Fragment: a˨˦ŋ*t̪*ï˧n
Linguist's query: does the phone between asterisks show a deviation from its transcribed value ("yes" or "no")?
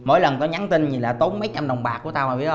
no